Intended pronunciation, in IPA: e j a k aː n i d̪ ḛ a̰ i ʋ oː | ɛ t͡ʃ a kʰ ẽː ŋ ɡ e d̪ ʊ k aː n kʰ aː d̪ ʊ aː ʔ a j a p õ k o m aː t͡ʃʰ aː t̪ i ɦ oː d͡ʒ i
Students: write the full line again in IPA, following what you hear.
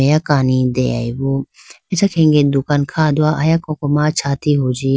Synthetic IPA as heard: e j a k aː n i d̪ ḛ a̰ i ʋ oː | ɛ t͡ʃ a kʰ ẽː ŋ ɡ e d̪ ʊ k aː n kʰ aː d̪ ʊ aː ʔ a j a k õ k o m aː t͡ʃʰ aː t̪ i ɦ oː d͡ʒ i